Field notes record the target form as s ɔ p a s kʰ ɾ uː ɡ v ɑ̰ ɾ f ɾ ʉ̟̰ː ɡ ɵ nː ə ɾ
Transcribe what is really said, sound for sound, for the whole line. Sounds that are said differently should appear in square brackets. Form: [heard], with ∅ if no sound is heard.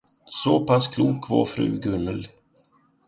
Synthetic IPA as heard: s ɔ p a s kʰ [l] uː [k] v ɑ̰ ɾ f ɾ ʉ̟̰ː ɡ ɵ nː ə [l]